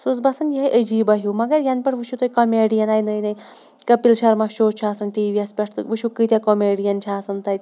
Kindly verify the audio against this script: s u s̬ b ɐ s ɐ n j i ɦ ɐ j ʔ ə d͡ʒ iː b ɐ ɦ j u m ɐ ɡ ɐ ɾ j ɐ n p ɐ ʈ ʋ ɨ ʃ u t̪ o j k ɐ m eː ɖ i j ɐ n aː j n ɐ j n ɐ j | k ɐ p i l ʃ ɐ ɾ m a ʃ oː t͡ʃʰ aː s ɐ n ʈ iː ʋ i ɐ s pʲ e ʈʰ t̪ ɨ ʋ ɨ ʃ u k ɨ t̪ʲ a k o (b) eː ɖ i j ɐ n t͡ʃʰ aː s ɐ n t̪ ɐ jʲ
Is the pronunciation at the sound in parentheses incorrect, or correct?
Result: incorrect